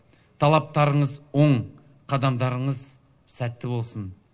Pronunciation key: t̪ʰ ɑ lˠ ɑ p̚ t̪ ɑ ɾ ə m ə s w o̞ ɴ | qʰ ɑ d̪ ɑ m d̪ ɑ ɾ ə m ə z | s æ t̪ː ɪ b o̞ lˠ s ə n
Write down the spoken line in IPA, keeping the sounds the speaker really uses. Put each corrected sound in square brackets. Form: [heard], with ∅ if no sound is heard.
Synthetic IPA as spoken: t̪ʰ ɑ lˠ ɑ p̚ t̪ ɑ ɾ ə [ɴ] ə [z] w o̞ ɴ | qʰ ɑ d̪ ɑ m d̪ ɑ ɾ ə [ɴ] ə z | s æ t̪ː ɪ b o̞ lˠ s ə n